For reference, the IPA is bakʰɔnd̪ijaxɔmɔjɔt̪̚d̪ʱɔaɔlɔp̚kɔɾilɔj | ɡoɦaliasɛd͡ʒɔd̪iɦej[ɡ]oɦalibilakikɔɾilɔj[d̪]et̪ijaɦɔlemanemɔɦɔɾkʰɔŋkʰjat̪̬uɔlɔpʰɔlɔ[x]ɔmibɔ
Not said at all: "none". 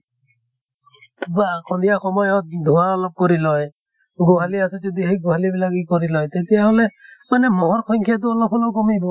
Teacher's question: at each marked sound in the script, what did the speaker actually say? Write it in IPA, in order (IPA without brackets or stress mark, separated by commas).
ɡ, t̪, k